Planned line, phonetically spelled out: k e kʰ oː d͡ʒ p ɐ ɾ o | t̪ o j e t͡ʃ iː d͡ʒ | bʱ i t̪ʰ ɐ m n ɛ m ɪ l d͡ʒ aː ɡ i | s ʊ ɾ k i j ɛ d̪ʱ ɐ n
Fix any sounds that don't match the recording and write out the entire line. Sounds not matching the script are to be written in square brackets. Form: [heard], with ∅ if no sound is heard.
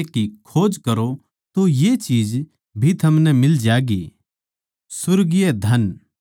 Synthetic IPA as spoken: k [i] kʰ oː d͡ʒ [k] ɐ ɾ o | t̪ o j e t͡ʃ iː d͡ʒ | bʱ i t̪ʰ ɐ m n ɛ m ɪ l d͡ʒ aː ɡ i | s ʊ ɾ [ɡ] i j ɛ d̪ʱ ɐ n